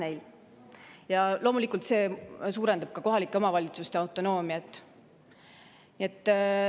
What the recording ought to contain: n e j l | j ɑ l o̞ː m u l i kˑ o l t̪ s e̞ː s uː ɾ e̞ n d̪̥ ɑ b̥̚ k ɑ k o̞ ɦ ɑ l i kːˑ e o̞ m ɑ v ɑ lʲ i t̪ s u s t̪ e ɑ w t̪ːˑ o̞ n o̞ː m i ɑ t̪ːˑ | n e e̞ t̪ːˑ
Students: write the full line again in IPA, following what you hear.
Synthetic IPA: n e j l | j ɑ l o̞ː m u l i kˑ u l t̪ s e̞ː s uː ɾ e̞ n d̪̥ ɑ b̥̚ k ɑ k o̞ ɦ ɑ l i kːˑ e o̞ m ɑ v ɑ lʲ i t̪ s u s t̪ e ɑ w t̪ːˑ o̞ n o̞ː m i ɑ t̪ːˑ | n i e̞ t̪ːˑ